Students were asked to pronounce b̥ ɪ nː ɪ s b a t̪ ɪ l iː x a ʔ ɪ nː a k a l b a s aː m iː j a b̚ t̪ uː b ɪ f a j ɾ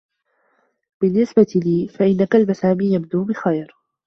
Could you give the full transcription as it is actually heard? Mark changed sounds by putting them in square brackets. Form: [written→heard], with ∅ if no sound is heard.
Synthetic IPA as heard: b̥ ɪ nː ɪ s b a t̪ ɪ l iː [x→f] a ʔ ɪ nː a k a l b a s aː m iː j a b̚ [t̪→d̪] uː b ɪ [f→x] a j ɾ